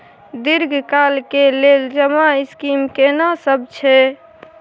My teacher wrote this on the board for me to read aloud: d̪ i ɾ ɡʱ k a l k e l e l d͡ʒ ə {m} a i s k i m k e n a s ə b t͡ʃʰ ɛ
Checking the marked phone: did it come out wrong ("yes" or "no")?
no